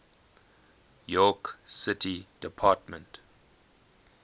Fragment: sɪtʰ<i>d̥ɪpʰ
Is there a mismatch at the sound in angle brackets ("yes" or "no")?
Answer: no